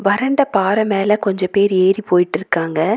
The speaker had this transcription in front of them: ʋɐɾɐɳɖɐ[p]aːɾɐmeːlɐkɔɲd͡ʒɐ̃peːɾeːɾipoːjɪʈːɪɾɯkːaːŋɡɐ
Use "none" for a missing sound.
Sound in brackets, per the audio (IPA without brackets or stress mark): p